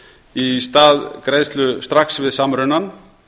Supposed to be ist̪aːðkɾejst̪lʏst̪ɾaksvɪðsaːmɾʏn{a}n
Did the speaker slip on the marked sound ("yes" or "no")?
no